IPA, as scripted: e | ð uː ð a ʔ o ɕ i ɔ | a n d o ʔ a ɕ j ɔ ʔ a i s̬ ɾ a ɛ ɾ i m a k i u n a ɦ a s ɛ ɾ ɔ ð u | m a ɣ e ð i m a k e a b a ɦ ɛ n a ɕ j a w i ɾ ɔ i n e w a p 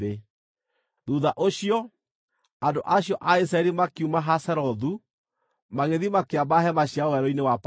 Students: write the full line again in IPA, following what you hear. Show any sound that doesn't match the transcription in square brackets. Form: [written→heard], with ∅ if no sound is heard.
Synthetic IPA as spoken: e | ð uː ð a ʔ o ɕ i ɔ | a n d o ʔ a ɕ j ɔ ʔ a i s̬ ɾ a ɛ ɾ i m a k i u [n→m] a ɦ a s ɛ ɾ ɔ ð u | m a ɣ e ð i m a k e a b a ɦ ɛ [n→m] a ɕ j a w [i→ɛ] ɾ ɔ i n e w a p